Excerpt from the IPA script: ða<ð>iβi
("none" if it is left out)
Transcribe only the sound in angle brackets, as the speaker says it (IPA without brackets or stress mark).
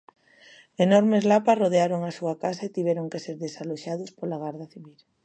θ